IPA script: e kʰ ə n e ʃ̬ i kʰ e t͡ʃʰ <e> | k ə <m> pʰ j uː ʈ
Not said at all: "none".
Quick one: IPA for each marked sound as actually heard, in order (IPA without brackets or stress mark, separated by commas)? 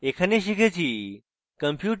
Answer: i, m